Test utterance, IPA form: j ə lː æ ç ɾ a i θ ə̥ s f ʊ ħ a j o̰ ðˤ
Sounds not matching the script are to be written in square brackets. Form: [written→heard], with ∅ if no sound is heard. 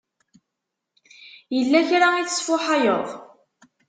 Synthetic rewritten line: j ə lː æ ç ɾ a i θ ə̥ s f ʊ ħ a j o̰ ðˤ